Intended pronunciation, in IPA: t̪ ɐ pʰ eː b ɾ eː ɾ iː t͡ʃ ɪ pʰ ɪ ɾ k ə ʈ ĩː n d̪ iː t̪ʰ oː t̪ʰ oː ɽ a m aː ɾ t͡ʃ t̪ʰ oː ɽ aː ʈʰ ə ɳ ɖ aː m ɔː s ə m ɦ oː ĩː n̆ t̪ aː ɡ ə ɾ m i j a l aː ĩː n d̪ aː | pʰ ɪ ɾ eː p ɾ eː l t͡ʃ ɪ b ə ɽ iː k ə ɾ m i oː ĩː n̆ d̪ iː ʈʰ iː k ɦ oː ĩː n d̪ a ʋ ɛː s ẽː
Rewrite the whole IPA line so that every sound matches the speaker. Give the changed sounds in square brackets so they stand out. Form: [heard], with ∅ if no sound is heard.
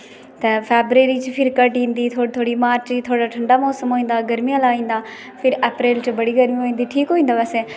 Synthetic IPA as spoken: t̪ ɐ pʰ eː b ɾ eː ɾ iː t͡ʃ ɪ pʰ ɪ ɾ k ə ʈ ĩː n d̪ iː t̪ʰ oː t̪ʰ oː ɽ [i] m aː ɾ t͡ʃ t̪ʰ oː ɽ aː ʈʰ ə ɳ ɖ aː m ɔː s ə m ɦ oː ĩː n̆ [d̪] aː ɡ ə ɾ m i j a l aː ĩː n d̪ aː | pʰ ɪ ɾ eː p ɾ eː l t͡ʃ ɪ b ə ɽ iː [ɡ] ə ɾ m i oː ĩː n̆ d̪ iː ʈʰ iː k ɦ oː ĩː n d̪ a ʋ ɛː s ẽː